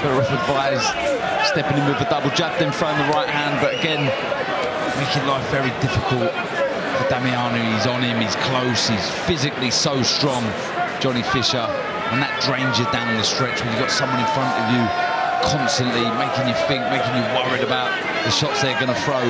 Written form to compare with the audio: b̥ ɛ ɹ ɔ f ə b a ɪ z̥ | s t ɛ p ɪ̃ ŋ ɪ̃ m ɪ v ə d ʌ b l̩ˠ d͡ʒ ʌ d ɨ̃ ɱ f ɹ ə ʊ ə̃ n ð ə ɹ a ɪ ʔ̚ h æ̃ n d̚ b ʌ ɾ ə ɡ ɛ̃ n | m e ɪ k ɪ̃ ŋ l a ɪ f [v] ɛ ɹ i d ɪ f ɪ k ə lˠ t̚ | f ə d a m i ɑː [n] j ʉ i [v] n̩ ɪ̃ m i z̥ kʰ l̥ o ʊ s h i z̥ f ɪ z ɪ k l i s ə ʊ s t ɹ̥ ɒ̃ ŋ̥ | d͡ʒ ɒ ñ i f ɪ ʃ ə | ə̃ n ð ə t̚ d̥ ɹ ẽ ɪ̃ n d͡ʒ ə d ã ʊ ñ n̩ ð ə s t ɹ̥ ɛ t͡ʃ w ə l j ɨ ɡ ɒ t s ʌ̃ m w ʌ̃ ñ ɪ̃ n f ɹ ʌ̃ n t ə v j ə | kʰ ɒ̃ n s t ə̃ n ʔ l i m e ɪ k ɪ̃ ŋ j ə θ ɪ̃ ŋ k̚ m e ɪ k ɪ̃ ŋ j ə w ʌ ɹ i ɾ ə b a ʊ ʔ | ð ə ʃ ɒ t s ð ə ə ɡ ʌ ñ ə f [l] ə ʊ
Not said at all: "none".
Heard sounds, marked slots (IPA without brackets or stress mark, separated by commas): v, n, z, ɹ